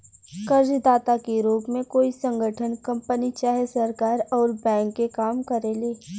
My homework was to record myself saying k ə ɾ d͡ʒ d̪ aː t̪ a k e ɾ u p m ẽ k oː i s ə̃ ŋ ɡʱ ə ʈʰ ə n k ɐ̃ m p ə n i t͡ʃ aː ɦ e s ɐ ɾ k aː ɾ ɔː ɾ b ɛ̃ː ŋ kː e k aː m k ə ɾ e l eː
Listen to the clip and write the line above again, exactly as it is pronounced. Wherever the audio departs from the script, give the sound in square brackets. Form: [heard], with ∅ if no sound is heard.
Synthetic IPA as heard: k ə ɾ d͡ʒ d̪ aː t̪ a k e ɾ [uː] p m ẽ k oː i s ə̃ ŋ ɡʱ ə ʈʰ ə n k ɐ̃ m p ə n i t͡ʃ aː ɦ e s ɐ ɾ k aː ɾ ɔː ɾ b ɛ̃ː ŋ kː e k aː m k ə ɾ e l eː